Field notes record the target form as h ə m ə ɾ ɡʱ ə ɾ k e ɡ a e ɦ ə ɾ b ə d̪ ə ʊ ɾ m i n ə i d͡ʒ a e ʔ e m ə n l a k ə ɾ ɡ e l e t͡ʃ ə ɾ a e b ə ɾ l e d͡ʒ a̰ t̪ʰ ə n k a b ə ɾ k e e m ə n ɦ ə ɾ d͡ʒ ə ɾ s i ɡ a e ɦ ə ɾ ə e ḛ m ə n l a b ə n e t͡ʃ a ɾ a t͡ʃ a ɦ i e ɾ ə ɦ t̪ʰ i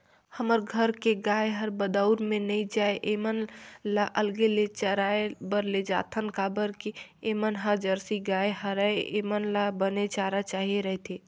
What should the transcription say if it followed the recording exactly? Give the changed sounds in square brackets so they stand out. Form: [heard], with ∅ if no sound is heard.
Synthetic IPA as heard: h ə m ə ɾ ɡʱ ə ɾ k e ɡ a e ɦ ə ɾ b ə d̪ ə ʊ ɾ m [e] n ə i d͡ʒ a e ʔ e m ə n l a [ʔ] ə [l] ɡ e l e t͡ʃ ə ɾ a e b ə ɾ l e d͡ʒ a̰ t̪ʰ ə n k a b ə ɾ k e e m ə n ɦ ə ɾ d͡ʒ ə ɾ s i ɡ a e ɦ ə ɾ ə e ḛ m ə n l a b ə n e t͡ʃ a ɾ a t͡ʃ a ɦ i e ɾ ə ɦ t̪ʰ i